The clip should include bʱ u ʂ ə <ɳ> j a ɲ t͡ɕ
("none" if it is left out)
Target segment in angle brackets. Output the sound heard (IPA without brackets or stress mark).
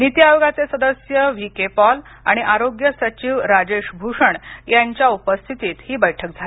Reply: ɳ